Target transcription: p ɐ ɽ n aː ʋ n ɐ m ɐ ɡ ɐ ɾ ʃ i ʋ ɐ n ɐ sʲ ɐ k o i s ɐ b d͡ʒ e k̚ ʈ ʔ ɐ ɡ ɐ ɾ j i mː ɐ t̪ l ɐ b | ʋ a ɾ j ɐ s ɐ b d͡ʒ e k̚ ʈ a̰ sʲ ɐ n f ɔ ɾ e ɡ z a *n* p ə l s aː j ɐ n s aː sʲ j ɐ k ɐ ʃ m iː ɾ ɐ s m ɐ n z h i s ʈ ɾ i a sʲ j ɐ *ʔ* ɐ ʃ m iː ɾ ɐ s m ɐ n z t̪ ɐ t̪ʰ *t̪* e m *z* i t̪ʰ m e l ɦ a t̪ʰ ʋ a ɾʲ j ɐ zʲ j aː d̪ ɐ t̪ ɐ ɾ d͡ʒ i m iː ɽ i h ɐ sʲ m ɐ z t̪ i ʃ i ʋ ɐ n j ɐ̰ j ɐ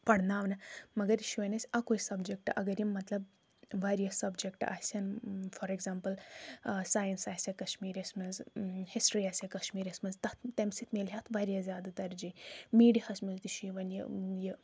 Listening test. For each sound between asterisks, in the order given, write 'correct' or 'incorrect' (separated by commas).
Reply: incorrect, incorrect, correct, incorrect